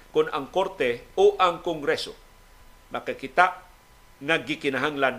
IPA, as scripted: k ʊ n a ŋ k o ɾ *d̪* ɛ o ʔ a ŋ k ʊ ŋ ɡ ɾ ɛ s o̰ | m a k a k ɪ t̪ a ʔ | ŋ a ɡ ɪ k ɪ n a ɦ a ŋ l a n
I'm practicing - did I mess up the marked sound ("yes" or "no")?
yes